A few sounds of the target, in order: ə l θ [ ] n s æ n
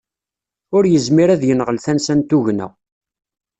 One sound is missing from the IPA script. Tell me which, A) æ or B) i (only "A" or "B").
A